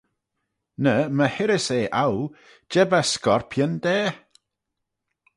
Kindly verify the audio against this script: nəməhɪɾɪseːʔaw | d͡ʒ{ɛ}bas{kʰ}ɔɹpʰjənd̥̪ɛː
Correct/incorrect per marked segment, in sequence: correct, incorrect: k

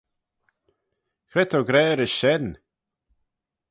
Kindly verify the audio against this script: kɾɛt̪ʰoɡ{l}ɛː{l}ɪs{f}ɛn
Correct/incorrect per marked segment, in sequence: incorrect: ɾ, incorrect: ɾ, incorrect: ʃ

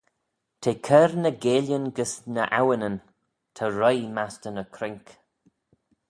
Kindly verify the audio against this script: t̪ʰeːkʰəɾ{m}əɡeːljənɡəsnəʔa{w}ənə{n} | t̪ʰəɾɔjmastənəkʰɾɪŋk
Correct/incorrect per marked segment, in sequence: incorrect: n, correct, correct

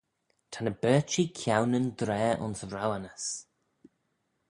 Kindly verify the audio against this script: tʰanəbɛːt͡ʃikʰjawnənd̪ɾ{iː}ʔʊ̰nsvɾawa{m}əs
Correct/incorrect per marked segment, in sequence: incorrect: ɛː, incorrect: n

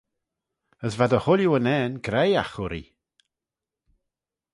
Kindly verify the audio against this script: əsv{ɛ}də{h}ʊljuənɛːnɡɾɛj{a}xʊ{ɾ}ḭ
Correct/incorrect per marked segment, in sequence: incorrect: a, correct, correct, correct

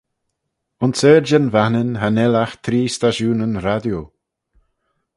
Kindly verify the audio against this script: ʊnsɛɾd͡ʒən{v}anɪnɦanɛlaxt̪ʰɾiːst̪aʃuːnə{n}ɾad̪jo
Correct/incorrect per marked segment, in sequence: correct, correct

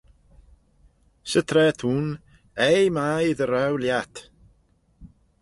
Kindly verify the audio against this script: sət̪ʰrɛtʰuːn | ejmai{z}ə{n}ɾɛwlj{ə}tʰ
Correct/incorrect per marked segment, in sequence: incorrect: ð, incorrect: none, incorrect: a

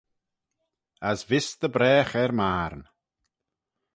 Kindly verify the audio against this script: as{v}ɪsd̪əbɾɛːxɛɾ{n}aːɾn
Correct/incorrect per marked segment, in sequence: correct, incorrect: m

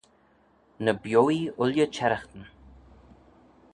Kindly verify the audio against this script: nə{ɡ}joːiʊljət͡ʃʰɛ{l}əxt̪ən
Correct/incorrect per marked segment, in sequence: incorrect: b, incorrect: ɾ

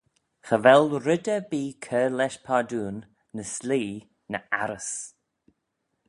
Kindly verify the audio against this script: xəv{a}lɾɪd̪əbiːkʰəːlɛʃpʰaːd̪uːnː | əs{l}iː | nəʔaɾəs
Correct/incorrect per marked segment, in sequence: incorrect: ɛ, correct

